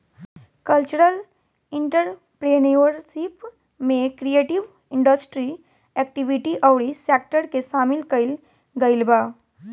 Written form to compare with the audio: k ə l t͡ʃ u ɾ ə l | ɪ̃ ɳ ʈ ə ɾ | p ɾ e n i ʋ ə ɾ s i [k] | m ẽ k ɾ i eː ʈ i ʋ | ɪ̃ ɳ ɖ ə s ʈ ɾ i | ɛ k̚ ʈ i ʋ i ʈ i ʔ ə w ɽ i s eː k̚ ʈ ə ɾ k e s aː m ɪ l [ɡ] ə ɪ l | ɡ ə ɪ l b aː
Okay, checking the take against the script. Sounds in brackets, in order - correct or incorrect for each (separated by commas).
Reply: incorrect, incorrect